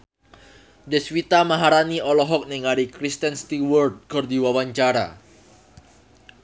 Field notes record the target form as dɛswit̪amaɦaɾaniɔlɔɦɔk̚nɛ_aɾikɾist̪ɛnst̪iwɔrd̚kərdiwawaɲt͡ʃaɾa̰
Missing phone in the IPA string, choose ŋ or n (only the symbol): ŋ